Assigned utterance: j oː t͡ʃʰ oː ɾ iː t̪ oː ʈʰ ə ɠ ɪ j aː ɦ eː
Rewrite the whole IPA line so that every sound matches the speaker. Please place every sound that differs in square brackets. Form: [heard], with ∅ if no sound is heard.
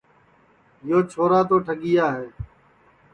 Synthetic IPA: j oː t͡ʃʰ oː ɾ [aː] t̪ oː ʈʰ ə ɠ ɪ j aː ɦ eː